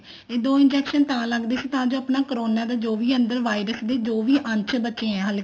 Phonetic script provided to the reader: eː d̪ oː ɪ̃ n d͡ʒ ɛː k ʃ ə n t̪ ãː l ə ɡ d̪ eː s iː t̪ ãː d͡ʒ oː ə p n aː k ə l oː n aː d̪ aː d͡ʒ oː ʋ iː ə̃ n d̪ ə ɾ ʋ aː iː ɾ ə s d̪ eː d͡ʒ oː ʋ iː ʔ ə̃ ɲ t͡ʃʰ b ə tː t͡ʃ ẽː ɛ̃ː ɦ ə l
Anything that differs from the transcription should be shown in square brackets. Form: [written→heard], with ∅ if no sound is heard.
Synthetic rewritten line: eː d̪ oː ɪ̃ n d͡ʒ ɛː k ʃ ə n t̪ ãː l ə ɡ d̪ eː s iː t̪ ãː d͡ʒ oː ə p n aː k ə [l→ɾ] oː n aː d̪ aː d͡ʒ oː ʋ iː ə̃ n d̪ ə ɾ ʋ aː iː ɾ ə s d̪ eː d͡ʒ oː ʋ iː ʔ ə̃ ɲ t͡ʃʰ b ə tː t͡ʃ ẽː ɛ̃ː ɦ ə l